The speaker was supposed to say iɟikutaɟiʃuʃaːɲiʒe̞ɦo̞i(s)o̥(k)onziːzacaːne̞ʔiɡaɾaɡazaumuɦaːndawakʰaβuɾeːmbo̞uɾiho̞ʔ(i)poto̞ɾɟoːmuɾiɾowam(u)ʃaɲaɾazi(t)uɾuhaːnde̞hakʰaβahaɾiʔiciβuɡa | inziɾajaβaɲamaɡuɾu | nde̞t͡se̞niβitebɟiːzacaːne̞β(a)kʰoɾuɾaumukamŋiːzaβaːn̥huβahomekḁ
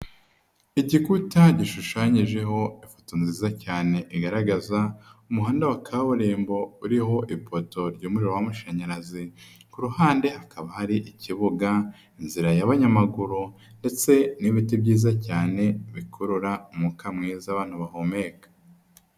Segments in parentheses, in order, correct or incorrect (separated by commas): incorrect, incorrect, correct, correct, incorrect, incorrect